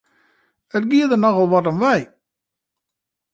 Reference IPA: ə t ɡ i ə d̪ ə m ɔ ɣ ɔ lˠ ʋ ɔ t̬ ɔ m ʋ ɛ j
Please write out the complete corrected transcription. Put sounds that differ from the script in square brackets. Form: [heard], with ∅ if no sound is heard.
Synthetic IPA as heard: ə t ɡ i ə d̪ ə [n] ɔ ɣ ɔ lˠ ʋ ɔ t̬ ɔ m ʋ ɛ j